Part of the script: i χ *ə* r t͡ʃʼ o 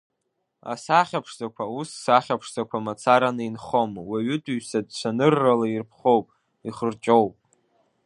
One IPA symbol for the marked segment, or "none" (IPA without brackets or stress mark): ə